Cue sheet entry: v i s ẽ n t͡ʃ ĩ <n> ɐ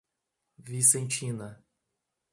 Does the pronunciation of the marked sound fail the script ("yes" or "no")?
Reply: no